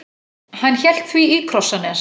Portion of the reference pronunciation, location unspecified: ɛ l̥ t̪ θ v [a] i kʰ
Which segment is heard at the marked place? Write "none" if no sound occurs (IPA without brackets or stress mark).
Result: i